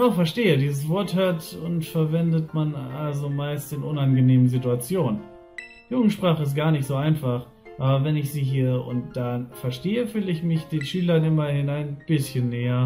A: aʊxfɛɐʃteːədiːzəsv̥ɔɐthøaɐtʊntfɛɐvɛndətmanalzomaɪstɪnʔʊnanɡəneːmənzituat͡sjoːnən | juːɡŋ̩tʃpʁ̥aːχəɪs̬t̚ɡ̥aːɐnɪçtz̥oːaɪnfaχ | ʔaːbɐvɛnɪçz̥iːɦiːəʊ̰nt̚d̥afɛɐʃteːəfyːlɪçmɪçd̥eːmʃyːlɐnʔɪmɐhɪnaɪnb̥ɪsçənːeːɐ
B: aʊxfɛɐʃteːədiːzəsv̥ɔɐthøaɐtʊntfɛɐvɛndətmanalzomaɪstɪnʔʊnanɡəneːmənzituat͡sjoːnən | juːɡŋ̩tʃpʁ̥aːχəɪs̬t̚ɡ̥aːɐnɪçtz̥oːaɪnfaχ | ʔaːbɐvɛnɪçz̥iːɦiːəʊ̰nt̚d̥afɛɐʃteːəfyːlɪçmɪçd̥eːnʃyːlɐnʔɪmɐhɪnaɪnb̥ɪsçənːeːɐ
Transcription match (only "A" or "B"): B